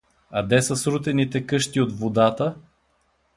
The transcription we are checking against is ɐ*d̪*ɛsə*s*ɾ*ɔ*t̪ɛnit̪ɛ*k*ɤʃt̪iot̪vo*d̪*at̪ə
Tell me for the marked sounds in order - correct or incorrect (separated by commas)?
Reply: correct, correct, incorrect, correct, correct